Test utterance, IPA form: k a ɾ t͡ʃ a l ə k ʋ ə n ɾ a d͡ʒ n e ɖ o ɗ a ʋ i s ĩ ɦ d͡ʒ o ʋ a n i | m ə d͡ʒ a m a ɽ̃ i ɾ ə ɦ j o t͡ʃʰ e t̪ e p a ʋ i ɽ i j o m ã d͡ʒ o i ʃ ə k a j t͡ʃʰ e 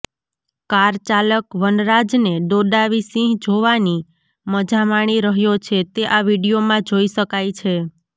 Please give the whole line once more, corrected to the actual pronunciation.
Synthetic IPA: k a ɾ t͡ʃ a l ə k ʋ ə n ɾ a d͡ʒ n e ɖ o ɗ a ʋ i s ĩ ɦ d͡ʒ o ʋ a n i | m ə d͡ʒ a m a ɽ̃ i ɾ ə ɦ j o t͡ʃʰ e t̪ e ʔ a ʋ i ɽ i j o m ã d͡ʒ o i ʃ ə k a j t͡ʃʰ e